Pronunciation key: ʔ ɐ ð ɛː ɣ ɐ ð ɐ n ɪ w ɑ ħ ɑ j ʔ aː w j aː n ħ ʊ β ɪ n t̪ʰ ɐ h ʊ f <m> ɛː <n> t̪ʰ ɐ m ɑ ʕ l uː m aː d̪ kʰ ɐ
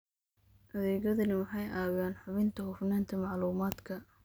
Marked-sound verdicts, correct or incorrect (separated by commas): incorrect, correct